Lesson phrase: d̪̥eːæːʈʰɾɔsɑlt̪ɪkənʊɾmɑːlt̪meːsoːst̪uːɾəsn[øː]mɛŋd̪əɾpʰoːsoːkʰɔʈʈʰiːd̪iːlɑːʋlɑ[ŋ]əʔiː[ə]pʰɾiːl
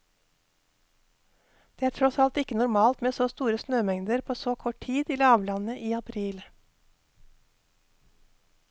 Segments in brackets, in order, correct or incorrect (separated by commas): correct, incorrect, incorrect